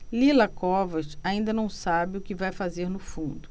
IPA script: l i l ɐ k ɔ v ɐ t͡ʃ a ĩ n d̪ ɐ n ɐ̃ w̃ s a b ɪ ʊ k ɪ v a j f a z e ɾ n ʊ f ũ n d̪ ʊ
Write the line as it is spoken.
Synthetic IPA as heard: l i l ɐ k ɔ v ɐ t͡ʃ a ĩ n d̪ ɐ n ɐ̃ w̃ s a b ɪ ʊ k ɪ v a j f a z e ɾ n ʊ f ũ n d̪ ʊ